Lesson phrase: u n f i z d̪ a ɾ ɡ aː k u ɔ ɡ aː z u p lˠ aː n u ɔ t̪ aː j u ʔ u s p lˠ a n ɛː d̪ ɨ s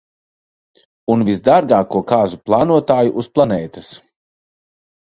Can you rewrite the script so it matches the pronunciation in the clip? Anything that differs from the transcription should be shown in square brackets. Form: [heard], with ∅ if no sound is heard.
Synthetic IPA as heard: u n [v] i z d̪ a ɾ ɡ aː k u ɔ [k] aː z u p lˠ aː n u ɔ t̪ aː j u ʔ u s p lˠ a n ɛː [t̪] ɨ s